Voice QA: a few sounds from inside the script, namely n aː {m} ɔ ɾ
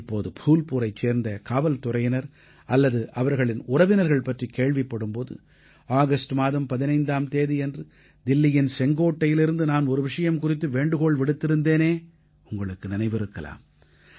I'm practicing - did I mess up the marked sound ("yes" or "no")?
yes